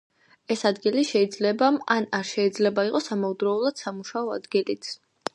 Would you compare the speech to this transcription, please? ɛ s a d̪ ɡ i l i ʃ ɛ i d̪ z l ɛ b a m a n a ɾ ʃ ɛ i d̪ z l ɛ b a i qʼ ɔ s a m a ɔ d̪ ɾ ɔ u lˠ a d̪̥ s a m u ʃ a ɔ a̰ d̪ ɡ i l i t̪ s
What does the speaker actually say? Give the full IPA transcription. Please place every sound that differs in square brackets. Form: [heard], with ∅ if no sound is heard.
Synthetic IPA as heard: ɛ s a d̪ ɡ i l i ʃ ɛ i d̪ z l ɛ b a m a n a ɾ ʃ ɛ i d̪ z l ɛ b a i qʼ ɔ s a m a [u] d̪ ɾ ɔ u lˠ a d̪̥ s a m u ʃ a ɔ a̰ d̪ ɡ i l i t̪ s